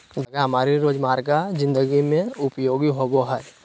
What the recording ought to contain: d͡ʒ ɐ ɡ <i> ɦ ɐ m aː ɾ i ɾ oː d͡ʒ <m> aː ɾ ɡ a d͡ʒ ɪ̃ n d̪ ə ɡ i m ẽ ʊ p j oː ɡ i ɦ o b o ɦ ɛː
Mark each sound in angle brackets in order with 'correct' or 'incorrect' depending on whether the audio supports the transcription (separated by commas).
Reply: incorrect, correct